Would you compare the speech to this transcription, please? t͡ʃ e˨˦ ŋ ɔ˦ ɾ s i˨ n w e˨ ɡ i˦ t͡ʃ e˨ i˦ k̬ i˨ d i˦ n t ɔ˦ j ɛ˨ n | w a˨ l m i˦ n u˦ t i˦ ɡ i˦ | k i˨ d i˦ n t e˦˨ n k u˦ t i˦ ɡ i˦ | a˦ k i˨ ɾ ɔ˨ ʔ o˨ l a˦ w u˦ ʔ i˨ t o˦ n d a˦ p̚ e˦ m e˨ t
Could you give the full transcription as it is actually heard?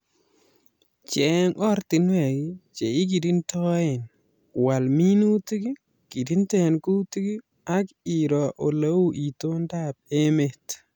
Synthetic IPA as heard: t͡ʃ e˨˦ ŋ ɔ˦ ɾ t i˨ n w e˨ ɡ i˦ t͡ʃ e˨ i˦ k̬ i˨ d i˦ n t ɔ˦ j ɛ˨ n | w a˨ l m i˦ n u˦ t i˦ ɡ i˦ | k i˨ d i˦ n t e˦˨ n k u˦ t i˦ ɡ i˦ | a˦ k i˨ ɾ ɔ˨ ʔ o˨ l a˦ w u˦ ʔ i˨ t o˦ n d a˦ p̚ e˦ m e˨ t